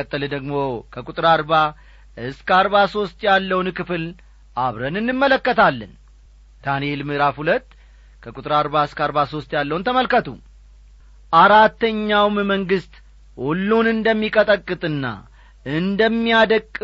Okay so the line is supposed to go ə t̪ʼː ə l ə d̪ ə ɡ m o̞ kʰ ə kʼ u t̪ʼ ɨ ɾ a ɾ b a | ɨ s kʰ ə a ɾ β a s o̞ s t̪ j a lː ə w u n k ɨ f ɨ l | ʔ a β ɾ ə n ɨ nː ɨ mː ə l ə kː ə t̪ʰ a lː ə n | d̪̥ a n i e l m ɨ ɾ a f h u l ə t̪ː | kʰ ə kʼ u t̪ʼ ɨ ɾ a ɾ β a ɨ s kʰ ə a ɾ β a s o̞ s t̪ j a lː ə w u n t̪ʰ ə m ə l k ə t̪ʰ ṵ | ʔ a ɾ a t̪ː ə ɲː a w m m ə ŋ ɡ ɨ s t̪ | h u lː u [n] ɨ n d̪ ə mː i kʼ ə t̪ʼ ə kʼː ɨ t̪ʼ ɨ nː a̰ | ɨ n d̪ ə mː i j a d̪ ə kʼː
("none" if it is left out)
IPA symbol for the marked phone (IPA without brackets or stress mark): n